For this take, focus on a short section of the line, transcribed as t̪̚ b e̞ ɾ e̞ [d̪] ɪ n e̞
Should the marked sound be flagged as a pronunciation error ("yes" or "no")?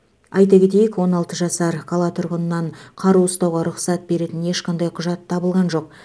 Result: yes